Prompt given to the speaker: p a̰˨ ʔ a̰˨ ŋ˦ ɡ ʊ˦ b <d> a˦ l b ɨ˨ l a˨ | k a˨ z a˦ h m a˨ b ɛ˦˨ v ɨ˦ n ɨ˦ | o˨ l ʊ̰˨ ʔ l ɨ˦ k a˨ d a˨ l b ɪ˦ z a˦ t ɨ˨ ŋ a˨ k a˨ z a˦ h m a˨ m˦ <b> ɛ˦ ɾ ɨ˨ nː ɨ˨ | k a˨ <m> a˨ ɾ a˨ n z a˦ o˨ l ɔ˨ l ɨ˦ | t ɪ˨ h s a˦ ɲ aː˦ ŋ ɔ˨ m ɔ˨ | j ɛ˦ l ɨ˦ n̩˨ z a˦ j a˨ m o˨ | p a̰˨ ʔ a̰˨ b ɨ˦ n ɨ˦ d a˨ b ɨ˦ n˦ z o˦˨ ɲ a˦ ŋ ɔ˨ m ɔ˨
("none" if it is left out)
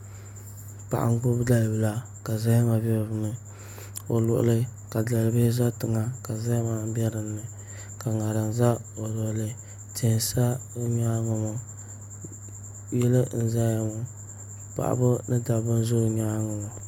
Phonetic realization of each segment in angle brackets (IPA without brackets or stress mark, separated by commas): d, b, ŋ